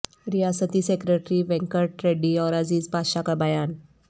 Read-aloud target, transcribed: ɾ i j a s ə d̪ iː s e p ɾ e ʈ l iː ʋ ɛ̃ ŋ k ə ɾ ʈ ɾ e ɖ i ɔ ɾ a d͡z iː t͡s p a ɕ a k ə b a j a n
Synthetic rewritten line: ɾ i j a s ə t̪ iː s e k ɾ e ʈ ɾ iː ʋ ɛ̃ ŋ k ə ɾ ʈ ɾ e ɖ i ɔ ɾ a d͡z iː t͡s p a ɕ a k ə b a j a n